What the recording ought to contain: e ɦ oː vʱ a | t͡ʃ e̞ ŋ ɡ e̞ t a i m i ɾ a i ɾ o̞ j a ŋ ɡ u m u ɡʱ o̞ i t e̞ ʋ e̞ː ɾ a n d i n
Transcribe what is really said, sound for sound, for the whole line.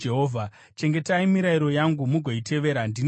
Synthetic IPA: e ɦ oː vʱ a | t͡ʃ e̞ ŋ ɡ e̞ t a i m i ɾ a i ɾ o̞ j a ŋ ɡ u m u ɡʱ o̞ i t e̞ ʋ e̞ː ɾ a n d i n